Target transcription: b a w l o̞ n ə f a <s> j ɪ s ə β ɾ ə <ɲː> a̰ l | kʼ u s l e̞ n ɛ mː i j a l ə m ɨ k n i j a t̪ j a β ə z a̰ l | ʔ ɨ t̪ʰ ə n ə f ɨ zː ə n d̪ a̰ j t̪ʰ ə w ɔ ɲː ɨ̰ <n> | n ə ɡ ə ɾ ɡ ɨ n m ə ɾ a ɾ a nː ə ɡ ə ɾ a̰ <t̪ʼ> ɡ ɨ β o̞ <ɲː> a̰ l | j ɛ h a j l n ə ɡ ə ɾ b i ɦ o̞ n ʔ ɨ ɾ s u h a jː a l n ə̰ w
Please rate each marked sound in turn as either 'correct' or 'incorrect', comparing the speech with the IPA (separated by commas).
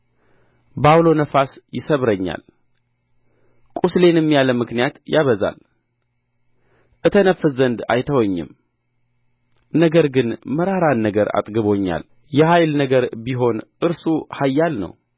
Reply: correct, correct, incorrect, correct, correct